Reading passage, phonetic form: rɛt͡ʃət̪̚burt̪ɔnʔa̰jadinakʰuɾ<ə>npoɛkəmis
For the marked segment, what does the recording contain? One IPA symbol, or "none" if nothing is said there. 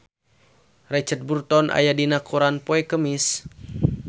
a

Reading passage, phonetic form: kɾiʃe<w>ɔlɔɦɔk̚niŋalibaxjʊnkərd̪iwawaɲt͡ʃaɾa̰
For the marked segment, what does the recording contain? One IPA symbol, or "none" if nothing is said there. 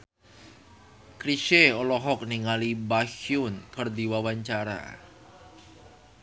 none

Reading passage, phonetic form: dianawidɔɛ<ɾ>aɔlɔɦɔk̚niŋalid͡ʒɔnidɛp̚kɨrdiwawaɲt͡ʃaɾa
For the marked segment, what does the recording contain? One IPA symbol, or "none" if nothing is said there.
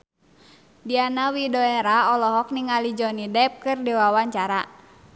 ɾ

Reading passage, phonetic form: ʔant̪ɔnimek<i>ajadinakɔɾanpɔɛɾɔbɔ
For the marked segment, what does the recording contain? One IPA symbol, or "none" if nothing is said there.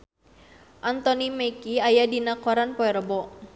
i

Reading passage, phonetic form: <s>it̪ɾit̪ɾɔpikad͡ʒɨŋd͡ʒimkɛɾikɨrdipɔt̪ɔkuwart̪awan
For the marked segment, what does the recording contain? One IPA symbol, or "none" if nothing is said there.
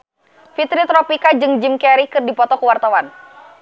f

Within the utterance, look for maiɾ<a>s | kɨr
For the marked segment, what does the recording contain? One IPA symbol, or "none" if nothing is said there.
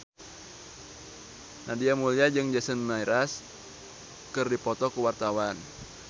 a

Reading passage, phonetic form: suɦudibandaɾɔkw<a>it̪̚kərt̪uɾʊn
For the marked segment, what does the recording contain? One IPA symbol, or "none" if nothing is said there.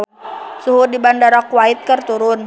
a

